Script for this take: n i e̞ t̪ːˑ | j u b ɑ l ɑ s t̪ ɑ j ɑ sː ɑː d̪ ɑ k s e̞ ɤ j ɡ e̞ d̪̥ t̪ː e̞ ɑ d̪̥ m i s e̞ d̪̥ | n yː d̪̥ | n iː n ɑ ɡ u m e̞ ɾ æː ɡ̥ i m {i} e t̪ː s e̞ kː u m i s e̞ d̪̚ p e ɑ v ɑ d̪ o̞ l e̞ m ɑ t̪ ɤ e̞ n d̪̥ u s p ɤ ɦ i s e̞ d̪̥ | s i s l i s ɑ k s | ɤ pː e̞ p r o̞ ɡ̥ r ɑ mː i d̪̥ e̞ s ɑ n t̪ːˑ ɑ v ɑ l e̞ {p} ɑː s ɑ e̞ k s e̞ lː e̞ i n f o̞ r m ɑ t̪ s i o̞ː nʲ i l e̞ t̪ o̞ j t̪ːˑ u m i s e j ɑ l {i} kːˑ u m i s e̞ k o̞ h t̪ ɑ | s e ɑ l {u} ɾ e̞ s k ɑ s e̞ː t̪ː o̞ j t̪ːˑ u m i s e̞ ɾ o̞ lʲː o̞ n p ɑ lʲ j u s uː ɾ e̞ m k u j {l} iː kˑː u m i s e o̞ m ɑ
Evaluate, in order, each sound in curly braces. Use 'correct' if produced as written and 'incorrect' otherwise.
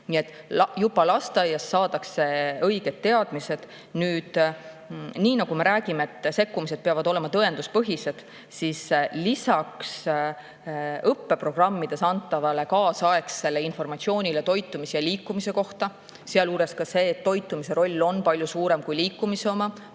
incorrect: e, incorrect: k, incorrect: iː, incorrect: uː, correct

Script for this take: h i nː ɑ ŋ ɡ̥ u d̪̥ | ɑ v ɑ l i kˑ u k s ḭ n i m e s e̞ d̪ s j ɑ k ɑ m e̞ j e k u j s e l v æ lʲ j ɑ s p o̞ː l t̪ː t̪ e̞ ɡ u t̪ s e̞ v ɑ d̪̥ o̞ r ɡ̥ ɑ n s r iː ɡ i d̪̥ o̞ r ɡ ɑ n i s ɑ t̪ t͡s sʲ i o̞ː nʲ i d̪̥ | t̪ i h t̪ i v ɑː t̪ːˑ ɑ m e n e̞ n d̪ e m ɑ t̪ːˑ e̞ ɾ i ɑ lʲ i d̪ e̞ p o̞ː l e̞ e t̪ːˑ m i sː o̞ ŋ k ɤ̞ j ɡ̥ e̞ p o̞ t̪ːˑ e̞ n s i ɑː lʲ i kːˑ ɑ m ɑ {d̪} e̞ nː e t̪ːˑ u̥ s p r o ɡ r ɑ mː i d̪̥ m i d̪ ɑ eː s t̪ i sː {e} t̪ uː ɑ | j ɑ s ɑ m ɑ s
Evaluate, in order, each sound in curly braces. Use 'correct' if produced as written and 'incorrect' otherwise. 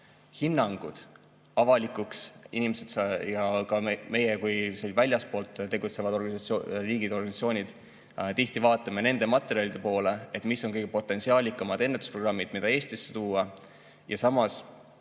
correct, correct

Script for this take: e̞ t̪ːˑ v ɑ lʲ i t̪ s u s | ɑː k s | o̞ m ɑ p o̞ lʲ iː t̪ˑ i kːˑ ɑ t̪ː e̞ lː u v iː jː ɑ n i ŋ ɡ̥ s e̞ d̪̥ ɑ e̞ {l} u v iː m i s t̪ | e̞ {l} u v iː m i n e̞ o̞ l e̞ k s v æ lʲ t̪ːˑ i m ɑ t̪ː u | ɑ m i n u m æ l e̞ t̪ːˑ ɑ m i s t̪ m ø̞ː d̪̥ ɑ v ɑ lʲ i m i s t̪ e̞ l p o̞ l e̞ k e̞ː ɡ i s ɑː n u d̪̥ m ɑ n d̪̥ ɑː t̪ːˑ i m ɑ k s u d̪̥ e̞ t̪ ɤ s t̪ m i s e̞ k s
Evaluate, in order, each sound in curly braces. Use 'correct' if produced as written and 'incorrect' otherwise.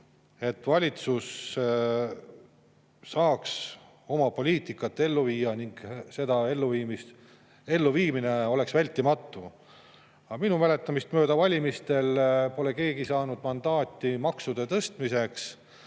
incorrect: lː, incorrect: lː

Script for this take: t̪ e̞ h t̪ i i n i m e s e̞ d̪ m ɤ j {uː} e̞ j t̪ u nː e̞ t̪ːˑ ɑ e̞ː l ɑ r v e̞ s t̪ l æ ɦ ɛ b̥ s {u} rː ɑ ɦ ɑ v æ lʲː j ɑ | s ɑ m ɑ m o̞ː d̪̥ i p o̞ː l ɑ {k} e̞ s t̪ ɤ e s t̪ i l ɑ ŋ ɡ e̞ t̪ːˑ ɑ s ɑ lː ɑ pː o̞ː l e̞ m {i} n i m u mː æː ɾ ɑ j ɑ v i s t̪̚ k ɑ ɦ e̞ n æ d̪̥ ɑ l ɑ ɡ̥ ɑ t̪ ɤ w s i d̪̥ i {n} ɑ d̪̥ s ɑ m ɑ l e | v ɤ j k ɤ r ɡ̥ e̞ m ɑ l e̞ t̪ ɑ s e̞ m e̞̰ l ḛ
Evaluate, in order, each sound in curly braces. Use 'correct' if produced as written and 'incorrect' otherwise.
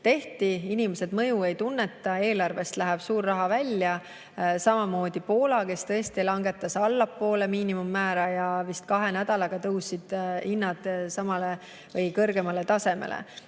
incorrect: u, incorrect: uː, correct, incorrect: iː, incorrect: nː

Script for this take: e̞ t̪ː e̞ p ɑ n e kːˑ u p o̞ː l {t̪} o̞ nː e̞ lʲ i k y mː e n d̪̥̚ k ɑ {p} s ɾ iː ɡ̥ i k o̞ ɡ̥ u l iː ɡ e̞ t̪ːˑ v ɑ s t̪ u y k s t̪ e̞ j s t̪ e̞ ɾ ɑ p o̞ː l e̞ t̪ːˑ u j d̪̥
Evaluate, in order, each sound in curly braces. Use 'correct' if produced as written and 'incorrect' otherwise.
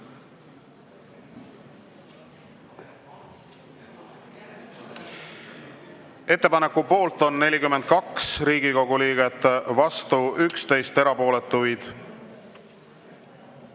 correct, incorrect: k

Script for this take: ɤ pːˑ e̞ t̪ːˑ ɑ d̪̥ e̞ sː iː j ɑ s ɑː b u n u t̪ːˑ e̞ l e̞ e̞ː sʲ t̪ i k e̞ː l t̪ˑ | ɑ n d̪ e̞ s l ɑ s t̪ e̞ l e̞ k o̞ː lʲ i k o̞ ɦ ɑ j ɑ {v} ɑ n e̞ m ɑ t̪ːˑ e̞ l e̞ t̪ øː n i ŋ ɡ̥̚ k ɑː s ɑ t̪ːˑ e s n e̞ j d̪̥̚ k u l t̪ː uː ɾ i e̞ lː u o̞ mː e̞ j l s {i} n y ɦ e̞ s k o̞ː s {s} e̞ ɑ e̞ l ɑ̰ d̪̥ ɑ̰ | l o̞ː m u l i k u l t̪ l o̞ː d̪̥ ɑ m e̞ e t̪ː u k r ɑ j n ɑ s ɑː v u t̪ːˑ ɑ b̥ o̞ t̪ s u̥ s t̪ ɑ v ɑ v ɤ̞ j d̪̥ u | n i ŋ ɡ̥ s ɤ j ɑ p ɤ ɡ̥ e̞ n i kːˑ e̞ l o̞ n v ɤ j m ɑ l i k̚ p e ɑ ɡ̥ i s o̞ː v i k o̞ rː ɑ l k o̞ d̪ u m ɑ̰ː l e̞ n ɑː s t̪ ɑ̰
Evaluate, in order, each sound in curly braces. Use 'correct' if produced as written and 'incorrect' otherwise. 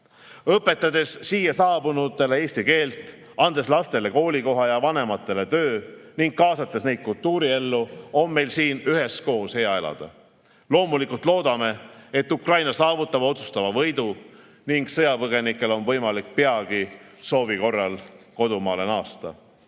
correct, incorrect: iː, incorrect: h

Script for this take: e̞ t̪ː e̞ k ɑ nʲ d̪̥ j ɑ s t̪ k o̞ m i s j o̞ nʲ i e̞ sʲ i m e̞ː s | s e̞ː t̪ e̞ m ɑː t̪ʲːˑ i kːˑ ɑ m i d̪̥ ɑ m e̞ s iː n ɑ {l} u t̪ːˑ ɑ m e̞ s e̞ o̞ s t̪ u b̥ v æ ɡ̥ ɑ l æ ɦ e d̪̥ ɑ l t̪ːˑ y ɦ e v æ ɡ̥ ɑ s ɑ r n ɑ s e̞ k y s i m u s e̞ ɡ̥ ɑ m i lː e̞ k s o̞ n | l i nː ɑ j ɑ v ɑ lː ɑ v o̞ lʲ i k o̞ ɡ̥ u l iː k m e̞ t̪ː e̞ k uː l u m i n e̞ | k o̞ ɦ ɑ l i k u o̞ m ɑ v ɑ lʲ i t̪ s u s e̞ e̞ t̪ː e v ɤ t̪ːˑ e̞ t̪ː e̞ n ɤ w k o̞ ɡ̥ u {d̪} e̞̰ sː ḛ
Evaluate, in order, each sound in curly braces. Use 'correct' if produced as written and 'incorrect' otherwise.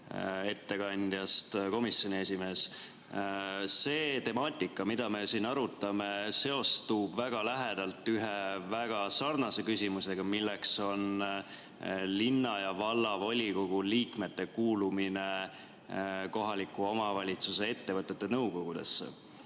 incorrect: ɾ, correct

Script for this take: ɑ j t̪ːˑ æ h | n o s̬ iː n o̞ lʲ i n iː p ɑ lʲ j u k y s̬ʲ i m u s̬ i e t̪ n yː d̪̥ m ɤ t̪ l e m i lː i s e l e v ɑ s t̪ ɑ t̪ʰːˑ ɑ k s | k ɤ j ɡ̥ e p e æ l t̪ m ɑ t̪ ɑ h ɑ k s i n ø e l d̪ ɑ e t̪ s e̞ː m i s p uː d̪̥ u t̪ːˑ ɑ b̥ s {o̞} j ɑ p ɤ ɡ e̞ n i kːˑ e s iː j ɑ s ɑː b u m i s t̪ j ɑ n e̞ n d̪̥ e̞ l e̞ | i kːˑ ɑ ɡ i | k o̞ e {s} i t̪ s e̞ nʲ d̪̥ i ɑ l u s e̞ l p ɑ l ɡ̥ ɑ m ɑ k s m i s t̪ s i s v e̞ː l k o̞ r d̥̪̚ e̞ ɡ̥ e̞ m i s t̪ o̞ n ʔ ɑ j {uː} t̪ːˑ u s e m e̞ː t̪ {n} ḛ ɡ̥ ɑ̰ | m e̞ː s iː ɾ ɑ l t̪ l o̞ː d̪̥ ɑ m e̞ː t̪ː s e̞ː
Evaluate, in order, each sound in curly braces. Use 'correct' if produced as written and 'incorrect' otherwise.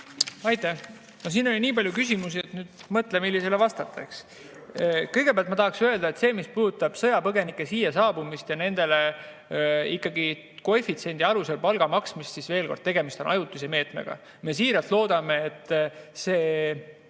incorrect: ɤ̞, incorrect: f, incorrect: u, incorrect: m

